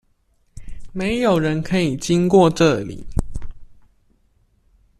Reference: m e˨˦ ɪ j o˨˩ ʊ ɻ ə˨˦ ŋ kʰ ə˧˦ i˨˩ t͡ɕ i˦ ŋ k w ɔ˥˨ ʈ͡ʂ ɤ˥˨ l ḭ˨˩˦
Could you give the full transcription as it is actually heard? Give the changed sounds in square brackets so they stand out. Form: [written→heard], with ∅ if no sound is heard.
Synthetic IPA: m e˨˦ ɪ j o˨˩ ʊ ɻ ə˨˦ [ŋ→n] kʰ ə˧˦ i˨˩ t͡ɕ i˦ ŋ k w ɔ˥˨ ʈ͡ʂ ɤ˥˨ l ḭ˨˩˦